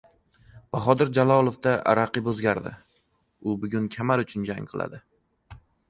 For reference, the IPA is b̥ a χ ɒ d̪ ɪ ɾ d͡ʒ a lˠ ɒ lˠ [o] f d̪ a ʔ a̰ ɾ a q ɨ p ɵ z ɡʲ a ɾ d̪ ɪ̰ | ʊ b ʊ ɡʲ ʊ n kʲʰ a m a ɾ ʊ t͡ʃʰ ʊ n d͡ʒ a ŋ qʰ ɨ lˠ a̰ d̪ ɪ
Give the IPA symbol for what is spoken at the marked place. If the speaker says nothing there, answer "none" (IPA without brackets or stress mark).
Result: o